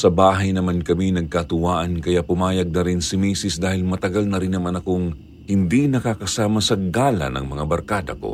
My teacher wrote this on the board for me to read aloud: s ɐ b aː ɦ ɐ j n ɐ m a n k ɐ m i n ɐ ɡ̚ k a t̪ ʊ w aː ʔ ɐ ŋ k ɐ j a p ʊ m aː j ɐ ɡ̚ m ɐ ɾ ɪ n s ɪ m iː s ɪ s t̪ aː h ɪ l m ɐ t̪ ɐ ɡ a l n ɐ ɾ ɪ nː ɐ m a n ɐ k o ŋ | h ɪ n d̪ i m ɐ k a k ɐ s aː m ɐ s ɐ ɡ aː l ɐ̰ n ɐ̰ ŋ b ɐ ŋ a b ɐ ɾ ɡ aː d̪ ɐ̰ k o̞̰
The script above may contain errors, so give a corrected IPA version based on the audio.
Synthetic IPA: s ɐ b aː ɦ ɐ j n ɐ m a n k ɐ m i n ɐ ɡ̚ k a t̪ ʊ w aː ʔ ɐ n k ɐ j a p ʊ m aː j ɐ ɡ̚ n ɐ ɾ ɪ n s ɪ m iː s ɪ s d̪ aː h ɪ l m ɐ t̪ ɐ ɡ a l n ɐ ɾ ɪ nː ɐ m a n ɐ k o ŋ | h ɪ n d̪ i n ɐ k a k ɐ s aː m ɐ s ɐ ɡ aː l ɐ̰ n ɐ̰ ŋ m ɐ ŋ a b ɐ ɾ k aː d̪ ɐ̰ k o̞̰